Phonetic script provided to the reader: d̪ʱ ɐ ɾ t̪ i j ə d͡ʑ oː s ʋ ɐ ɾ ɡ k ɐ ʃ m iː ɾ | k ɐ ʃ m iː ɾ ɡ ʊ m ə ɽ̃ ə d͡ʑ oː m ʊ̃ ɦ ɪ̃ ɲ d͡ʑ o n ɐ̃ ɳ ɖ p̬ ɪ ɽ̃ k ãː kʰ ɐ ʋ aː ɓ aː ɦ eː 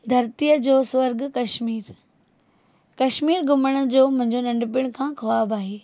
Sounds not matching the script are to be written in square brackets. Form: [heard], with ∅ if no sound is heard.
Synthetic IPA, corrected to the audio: d̪ʱ ɐ ɾ t̪ i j ə d͡ʑ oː s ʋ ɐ ɾ ɡ k ɐ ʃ m iː ɾ | k ɐ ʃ m iː ɾ ɡ ʊ m ə ɽ̃ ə d͡ʑ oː m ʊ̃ ɦ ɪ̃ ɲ d͡ʑ o n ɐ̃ ɳ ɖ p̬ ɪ ɽ̃ [kʰ] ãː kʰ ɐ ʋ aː [b] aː ɦ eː